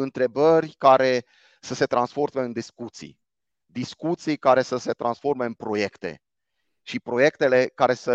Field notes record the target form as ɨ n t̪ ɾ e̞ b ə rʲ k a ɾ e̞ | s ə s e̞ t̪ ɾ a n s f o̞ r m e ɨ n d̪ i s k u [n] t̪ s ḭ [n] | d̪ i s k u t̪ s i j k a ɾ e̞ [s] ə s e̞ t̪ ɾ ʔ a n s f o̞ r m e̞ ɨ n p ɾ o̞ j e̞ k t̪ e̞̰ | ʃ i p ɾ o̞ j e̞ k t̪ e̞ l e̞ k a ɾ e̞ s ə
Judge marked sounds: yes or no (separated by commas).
no, no, yes